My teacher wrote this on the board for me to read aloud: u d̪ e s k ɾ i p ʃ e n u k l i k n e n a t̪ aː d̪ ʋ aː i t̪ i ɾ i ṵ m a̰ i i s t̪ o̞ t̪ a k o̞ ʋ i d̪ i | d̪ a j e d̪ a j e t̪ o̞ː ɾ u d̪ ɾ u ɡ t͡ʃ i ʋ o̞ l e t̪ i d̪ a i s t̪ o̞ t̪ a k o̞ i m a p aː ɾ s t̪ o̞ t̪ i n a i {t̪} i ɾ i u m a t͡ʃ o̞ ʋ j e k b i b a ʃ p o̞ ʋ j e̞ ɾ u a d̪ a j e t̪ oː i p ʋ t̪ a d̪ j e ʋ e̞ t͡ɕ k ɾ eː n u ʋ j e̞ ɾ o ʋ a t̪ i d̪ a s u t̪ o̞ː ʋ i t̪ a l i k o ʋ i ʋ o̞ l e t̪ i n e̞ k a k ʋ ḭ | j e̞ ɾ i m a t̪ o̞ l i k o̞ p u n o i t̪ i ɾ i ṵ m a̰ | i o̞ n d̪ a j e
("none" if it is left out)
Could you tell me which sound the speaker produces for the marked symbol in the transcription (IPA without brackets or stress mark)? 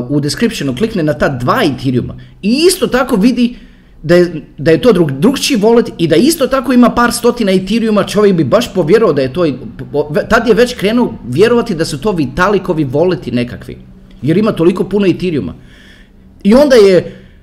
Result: t̪